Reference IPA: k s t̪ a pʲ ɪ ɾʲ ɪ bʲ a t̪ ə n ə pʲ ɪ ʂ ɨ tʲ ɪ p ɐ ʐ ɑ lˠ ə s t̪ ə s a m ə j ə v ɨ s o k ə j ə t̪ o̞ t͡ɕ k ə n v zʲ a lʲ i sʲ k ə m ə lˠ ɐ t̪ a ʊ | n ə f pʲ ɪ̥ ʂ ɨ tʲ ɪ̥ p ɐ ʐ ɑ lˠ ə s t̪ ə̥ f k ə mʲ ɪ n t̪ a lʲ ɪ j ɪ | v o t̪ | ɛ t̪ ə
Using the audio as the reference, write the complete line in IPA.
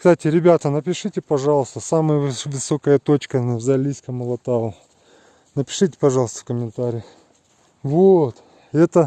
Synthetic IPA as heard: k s t̪ a tʲ ɪ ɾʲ ɪ bʲ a t̪ ə n ə pʲ ɪ ʂ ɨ tʲ ɪ p ɐ ʐ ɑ lˠ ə s t̪ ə s a m ə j ə v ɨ s o k ə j ə t̪ o̞ t͡ɕ k ə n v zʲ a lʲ i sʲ k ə m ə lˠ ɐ t̪ a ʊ | n ə pʲ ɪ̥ ʂ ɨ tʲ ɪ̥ p ɐ ʐ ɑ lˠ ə s t̪ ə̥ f k ə mʲ ɪ n t̪ a ɾʲ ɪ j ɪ | v o t̪ | ɛ t̪ ə